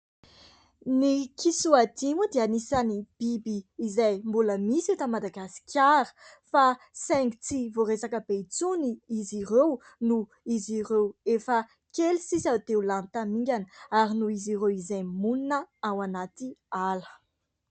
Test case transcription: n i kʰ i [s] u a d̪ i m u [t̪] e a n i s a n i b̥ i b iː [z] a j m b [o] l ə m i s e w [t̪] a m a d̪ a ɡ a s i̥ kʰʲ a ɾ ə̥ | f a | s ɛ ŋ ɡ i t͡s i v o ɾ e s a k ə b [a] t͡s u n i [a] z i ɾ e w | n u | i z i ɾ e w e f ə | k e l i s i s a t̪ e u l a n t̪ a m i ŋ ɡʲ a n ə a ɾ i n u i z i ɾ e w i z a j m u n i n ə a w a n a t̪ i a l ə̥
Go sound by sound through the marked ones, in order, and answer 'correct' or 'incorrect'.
correct, incorrect: d̪, correct, incorrect: u, correct, incorrect: e, incorrect: i

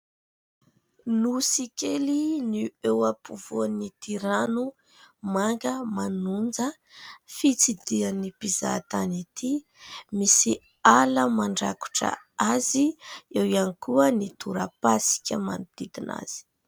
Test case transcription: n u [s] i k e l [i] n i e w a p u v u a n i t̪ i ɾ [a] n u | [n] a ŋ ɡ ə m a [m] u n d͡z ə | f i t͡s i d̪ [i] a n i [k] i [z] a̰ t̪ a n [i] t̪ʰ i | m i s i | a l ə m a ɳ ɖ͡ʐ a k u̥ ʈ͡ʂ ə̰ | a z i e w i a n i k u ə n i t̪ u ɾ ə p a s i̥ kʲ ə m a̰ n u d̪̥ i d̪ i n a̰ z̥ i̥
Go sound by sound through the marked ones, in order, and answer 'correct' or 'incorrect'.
correct, correct, correct, incorrect: m, incorrect: n, correct, incorrect: p, correct, correct

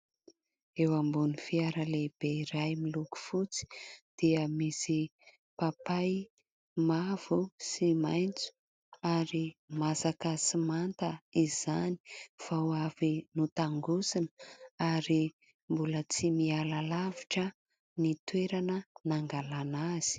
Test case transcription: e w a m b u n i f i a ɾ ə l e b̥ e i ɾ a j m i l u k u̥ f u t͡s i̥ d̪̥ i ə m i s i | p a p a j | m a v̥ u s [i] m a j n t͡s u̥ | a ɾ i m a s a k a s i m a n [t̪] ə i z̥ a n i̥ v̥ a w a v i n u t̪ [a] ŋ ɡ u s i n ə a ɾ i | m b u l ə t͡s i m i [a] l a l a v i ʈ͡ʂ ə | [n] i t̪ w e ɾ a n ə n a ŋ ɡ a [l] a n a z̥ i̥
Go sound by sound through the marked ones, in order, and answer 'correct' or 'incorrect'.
correct, correct, correct, correct, correct, correct

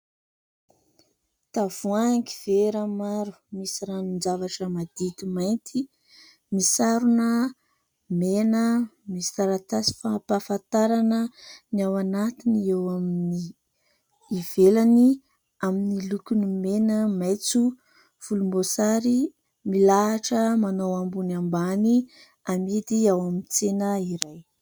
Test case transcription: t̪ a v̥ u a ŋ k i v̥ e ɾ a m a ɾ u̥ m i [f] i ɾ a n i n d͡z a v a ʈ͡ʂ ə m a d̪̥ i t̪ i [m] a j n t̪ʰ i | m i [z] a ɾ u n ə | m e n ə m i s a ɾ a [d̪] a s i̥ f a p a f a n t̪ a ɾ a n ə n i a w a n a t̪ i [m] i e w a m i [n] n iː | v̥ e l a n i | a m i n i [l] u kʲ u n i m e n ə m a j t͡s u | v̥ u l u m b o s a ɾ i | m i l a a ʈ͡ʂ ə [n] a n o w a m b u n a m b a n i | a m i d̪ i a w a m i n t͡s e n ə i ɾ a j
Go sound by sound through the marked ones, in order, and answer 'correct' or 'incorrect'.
incorrect: s, correct, incorrect: s, incorrect: t̪, incorrect: n, correct, correct, incorrect: m

